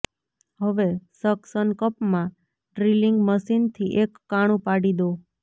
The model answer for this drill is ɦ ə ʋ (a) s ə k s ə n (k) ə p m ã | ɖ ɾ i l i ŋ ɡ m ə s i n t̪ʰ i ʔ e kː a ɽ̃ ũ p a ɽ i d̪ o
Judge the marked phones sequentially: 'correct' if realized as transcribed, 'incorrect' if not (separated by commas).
incorrect, correct